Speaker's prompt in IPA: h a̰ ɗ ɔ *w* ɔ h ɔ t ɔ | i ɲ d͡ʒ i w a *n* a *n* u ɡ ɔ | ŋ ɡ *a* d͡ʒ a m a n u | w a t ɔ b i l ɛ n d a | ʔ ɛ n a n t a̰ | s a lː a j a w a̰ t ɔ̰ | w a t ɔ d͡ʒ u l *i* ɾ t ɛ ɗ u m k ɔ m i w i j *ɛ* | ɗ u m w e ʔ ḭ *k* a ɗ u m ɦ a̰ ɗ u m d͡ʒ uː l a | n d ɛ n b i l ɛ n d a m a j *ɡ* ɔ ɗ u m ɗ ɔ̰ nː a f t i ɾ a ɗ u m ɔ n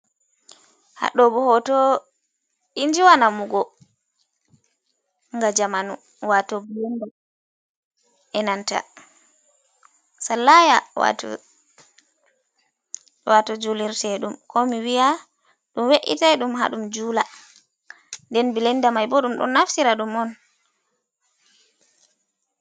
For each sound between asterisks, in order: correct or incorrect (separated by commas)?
incorrect, correct, incorrect, correct, correct, incorrect, incorrect, incorrect